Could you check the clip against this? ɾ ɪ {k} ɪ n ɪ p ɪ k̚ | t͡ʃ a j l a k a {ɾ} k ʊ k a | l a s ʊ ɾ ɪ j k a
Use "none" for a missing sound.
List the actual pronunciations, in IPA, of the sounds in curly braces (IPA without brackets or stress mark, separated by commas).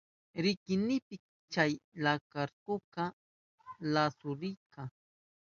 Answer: k, ɾ